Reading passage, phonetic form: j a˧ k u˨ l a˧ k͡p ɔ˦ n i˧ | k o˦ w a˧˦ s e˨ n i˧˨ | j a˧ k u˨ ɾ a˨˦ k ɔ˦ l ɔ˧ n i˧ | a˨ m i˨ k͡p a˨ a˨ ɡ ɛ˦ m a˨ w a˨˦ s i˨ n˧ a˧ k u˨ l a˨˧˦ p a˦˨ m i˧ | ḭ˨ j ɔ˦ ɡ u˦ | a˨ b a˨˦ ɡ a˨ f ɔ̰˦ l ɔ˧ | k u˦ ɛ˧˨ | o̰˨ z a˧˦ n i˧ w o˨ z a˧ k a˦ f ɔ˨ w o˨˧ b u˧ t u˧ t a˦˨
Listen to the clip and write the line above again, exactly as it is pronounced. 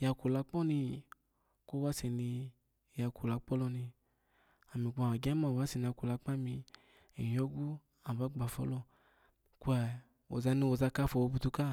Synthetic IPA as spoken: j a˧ k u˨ l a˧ k͡p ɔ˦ n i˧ | k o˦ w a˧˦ s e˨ n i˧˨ | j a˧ k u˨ l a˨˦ k͡p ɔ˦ l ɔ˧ n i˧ | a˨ m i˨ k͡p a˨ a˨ ɡ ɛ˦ m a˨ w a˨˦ s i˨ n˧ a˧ k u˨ l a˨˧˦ k͡p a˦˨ m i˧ | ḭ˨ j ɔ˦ ɡ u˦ | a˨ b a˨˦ ɡ͡b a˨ f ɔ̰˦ l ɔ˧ | k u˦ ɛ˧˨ | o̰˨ z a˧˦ n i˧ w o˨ z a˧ k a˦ f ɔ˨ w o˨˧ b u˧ t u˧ k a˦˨